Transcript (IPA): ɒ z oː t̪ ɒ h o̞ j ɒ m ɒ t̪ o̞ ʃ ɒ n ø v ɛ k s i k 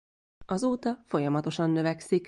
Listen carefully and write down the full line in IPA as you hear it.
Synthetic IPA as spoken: ɒ z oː t̪ ɒ f o̞ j ɒ m ɒ t̪ o̞ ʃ ɒ nː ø v ɛ k s i k